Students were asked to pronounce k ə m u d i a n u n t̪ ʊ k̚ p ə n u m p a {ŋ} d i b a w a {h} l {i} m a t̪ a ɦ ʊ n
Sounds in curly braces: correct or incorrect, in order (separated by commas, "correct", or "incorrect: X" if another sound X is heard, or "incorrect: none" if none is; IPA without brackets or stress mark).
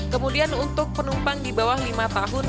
correct, correct, correct